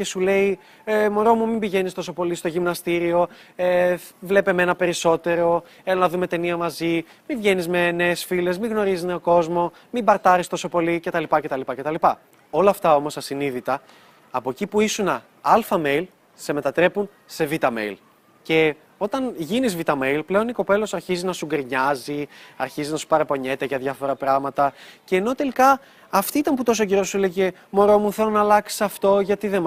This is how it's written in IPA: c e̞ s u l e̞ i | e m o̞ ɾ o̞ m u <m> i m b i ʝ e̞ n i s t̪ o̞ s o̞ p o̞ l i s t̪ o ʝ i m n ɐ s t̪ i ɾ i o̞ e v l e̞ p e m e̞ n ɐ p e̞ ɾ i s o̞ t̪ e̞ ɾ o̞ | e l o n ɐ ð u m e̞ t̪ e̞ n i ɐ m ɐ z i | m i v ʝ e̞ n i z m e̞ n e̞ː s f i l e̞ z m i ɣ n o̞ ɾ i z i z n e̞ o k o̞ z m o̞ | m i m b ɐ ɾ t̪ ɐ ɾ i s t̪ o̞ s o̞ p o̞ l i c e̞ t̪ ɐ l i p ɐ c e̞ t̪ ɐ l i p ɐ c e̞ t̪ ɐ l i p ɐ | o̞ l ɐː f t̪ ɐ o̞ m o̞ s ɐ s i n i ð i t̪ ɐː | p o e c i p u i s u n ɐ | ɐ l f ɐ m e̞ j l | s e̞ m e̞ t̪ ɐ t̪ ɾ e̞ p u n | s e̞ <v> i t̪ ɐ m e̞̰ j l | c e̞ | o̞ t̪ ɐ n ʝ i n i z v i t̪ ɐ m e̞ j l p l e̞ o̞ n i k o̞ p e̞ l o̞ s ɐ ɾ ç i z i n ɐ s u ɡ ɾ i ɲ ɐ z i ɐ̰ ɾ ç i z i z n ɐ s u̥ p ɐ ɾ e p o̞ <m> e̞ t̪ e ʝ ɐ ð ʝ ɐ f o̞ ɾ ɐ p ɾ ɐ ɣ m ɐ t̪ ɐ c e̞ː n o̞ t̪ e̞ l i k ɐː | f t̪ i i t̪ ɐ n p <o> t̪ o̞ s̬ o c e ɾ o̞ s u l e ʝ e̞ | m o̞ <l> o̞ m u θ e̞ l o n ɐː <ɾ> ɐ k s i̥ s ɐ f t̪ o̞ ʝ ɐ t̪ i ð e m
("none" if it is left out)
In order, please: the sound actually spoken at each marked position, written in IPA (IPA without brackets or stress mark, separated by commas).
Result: m, v, ɲ, u, ɾ, l